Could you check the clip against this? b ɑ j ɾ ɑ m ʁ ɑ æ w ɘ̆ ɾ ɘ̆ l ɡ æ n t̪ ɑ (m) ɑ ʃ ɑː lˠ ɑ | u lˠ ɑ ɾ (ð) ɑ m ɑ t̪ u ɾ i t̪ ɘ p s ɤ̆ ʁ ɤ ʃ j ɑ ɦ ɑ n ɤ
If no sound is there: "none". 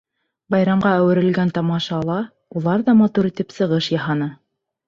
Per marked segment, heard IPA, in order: m, ð

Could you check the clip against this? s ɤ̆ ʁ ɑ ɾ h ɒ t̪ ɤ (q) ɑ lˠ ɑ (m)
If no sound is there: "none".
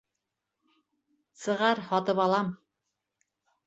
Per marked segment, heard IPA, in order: p, m

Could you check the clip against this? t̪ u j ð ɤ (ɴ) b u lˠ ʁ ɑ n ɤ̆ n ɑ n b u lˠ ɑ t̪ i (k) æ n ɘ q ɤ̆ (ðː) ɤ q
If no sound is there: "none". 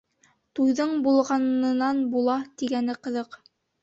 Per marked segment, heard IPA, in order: ɴ, ɡ, ð

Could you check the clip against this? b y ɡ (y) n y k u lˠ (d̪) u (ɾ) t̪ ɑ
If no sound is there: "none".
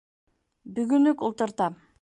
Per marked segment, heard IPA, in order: y, t̪, ɾ

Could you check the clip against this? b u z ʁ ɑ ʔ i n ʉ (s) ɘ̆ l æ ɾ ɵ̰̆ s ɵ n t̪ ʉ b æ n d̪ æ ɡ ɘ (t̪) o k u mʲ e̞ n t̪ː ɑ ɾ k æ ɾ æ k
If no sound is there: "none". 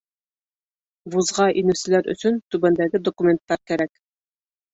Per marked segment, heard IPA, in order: s, d̪

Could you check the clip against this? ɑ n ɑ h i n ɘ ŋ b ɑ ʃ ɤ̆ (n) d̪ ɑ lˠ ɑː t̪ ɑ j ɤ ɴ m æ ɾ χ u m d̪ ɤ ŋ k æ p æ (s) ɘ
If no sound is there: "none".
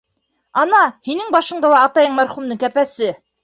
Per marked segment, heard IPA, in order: ɴ, s

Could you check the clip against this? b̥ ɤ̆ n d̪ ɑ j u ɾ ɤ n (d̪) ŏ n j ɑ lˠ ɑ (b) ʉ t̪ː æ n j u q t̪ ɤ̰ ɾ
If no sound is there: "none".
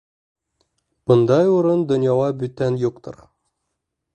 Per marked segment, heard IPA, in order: d̪, b

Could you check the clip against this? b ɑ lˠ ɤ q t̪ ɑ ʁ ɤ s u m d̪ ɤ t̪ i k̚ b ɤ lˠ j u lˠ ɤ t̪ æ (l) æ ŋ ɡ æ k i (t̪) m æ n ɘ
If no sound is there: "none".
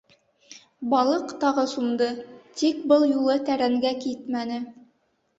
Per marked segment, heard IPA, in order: ɾ, t̪

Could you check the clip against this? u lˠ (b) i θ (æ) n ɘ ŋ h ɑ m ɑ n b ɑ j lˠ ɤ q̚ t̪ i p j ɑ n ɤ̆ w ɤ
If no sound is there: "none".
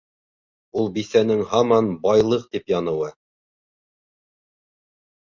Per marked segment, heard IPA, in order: b, æ

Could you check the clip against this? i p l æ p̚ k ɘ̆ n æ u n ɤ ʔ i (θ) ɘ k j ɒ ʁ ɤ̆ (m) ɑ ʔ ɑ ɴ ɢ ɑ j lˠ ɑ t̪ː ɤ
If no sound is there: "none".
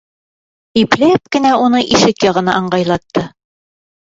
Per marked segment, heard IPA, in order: ʃ, n

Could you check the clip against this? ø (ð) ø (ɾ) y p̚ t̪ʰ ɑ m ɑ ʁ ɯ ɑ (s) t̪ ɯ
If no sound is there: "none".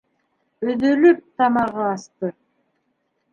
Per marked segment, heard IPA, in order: ð, l, s

